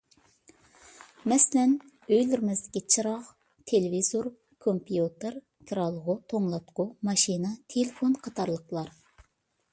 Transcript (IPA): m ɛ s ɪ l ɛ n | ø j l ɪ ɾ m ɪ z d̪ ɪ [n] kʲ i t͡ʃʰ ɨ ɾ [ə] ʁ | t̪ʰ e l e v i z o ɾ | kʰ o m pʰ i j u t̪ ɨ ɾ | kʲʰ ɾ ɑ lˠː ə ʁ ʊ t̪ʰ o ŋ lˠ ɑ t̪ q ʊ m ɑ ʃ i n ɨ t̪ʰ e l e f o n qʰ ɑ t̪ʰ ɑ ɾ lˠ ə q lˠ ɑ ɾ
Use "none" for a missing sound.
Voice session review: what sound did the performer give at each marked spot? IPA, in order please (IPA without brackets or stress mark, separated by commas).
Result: none, ɑ